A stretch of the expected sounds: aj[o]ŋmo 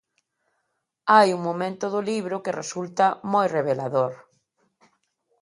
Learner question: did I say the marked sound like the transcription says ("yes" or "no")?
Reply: no